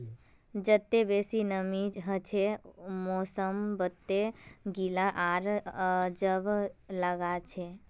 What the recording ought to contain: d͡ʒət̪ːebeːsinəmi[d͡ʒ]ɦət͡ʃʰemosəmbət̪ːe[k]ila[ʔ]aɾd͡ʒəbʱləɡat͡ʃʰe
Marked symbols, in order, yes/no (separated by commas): yes, no, yes